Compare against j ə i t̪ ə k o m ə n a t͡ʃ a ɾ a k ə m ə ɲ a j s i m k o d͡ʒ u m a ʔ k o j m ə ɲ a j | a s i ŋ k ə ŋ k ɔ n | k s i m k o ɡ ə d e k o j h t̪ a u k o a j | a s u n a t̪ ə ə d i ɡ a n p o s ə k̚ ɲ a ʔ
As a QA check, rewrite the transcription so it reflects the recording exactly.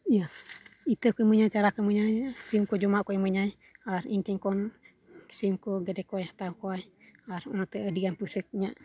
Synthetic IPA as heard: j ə i t̪ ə k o m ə ɲ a t͡ʃ a ɾ a k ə m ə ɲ a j s i m k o d͡ʒ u m a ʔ k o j m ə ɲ a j | a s i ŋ k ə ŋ k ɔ n | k s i m k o ɡ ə d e k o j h t̪ a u k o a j | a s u n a t̪ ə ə d i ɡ a n p u s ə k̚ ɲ a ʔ